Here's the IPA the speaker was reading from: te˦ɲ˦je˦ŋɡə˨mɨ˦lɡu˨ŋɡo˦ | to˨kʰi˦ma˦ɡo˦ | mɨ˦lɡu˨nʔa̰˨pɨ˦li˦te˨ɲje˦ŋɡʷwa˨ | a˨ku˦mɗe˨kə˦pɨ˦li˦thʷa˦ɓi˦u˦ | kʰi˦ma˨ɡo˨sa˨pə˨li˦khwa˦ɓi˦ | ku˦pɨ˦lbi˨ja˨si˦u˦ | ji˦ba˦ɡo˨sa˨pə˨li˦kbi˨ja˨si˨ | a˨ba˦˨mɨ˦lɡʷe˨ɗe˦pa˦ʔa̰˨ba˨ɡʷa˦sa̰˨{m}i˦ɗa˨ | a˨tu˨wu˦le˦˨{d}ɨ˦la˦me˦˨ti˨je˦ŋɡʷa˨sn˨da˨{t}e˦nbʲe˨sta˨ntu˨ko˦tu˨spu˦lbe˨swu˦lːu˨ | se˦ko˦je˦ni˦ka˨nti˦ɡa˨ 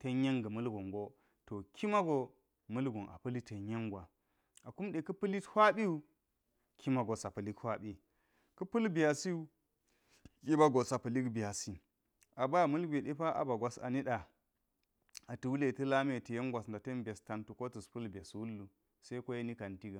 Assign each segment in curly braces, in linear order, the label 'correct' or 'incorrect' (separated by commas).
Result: incorrect, incorrect, correct